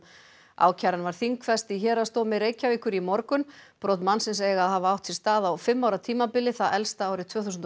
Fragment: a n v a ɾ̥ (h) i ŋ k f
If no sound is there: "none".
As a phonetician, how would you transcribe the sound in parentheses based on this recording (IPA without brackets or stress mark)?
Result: θ